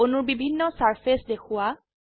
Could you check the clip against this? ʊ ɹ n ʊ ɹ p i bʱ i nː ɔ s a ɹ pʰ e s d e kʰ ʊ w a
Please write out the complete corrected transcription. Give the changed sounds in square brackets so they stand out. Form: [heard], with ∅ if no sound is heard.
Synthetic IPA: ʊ [∅] n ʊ ɹ [b] i bʱ i nː ɔ s a ɹ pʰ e s d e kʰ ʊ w a